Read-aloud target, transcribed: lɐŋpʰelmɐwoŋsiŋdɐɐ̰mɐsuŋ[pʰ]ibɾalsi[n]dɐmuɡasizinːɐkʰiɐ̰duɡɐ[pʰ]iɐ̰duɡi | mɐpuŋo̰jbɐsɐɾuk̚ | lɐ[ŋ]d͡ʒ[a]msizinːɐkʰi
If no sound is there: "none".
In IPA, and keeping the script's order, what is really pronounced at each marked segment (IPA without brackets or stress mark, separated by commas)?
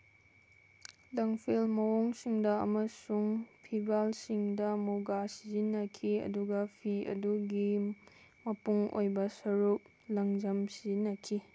pʰ, ŋ, pʰ, ŋ, ɐ